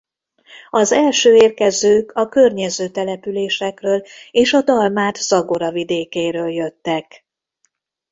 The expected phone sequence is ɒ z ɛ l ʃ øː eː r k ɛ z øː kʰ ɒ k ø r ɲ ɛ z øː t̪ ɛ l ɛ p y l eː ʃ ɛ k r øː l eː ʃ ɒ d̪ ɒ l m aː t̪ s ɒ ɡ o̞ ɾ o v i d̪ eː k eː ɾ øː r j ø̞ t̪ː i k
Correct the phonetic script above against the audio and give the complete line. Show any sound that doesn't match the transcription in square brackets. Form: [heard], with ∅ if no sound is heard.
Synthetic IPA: ɒ z ɛ l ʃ øː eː r k ɛ z øː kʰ ɒ k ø r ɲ ɛ z øː t̪ ɛ l ɛ p y l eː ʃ ɛ k r øː l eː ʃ ɒ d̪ ɒ l m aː t̪ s ɒ ɡ o̞ ɾ [ɒ] v i d̪ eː k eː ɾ øː [l] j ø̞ t̪ː [ɛ] k